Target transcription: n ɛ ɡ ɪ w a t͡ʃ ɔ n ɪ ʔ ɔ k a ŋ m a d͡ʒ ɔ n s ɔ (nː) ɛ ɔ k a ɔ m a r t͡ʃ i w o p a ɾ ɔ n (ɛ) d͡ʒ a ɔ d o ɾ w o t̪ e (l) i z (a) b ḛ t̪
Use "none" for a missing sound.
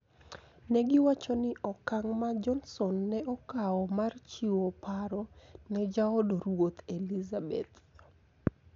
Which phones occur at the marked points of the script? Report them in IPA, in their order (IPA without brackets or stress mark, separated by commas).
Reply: nː, ɛ, l, a